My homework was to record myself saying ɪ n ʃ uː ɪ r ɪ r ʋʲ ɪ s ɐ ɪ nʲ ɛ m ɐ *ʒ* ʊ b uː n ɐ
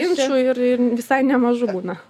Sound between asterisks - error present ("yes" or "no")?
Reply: no